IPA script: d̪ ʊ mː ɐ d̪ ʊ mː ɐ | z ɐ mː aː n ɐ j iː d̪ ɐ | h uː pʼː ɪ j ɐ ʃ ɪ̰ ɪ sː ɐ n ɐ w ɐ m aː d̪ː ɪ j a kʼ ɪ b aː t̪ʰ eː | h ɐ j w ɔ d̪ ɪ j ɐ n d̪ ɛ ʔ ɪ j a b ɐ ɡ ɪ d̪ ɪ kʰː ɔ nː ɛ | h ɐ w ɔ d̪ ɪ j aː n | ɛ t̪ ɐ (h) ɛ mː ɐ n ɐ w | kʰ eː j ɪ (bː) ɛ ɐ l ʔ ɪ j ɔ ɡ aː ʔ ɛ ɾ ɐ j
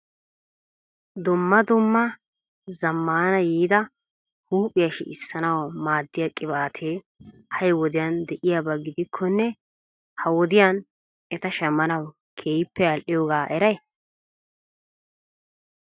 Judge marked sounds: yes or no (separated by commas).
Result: no, no